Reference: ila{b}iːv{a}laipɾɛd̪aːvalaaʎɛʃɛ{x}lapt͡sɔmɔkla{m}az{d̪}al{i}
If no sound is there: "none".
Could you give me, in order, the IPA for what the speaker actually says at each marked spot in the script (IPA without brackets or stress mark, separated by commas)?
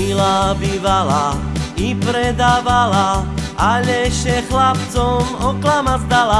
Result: b, a, x, m, d̪, a